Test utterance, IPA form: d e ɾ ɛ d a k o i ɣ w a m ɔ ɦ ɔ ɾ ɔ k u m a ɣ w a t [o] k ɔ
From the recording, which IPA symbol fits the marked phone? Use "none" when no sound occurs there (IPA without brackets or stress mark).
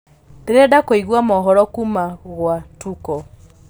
u